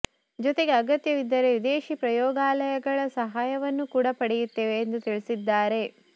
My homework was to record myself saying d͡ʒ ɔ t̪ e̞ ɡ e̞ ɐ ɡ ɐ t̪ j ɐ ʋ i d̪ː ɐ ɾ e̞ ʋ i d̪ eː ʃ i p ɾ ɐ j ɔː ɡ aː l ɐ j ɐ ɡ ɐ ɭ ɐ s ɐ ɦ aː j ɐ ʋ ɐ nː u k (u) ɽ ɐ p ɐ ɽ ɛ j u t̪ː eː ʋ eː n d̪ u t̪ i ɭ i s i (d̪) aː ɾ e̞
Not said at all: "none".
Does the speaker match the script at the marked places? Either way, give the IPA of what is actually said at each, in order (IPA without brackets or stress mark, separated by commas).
uː, d̪ː